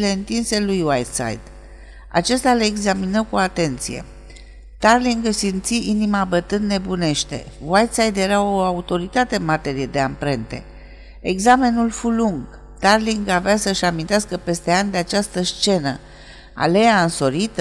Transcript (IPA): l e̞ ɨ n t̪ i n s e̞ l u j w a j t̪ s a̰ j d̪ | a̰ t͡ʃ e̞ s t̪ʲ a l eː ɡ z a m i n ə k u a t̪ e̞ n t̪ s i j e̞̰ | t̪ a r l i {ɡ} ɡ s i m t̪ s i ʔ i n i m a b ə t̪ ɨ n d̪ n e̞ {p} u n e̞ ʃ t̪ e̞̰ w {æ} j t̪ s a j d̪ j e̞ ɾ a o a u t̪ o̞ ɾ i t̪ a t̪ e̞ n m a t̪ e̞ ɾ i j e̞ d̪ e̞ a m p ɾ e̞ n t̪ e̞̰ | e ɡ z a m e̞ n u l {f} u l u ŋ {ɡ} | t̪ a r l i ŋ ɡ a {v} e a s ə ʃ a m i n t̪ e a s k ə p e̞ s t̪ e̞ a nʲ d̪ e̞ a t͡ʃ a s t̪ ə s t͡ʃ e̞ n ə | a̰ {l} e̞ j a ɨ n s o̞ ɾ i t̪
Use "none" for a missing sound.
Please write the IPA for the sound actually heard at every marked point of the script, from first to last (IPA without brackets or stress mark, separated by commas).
ŋ, b, a, f, ɡ, v, l